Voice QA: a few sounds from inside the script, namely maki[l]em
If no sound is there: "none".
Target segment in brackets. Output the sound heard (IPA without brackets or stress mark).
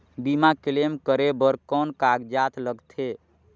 l